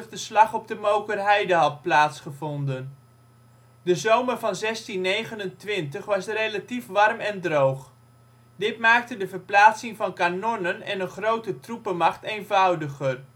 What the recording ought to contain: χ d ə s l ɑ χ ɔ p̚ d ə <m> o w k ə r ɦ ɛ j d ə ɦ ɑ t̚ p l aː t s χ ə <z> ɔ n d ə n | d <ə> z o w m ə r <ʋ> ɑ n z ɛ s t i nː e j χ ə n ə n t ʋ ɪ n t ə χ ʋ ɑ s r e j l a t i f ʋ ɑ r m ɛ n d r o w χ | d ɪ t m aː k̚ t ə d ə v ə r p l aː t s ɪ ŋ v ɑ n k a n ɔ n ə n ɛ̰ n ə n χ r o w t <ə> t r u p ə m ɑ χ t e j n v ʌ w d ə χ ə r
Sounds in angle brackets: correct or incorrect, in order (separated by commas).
correct, incorrect, correct, incorrect, correct